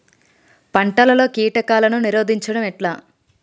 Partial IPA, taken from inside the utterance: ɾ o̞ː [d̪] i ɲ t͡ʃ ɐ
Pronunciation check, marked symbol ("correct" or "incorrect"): correct